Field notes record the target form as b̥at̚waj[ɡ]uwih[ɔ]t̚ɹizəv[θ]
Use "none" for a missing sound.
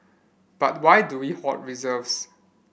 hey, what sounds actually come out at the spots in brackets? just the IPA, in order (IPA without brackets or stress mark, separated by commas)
d, ɔ, s